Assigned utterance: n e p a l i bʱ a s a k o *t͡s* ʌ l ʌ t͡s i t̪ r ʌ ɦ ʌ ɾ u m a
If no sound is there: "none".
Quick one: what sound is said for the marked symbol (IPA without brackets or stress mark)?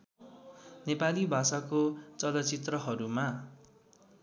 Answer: t͡s